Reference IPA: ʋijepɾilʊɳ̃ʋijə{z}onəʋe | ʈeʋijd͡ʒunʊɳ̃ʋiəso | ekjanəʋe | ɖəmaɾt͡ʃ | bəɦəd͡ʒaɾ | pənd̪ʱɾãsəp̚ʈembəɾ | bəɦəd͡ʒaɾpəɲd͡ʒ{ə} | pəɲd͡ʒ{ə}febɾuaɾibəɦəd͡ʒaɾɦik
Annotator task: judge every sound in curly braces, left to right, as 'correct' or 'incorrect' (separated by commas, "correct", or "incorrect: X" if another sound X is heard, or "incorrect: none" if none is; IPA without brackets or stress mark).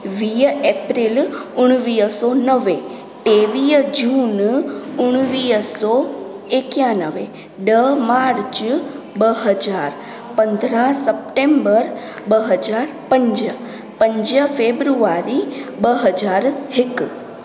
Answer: incorrect: s, correct, correct